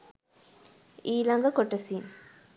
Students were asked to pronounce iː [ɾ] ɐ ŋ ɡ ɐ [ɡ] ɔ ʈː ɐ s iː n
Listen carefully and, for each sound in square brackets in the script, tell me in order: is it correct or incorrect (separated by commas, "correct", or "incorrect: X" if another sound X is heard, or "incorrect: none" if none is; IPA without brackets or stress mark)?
incorrect: l, incorrect: k